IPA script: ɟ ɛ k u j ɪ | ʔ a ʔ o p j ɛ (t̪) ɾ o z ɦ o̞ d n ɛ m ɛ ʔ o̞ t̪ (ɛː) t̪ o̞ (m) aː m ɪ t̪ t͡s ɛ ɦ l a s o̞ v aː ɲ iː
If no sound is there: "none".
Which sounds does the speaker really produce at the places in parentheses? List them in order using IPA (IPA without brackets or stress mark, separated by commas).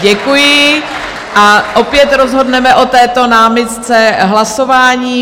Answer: t̪, ɛː, n